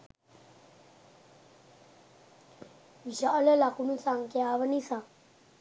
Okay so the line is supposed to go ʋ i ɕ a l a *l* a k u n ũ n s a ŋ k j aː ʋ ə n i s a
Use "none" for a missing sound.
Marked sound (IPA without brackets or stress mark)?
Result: l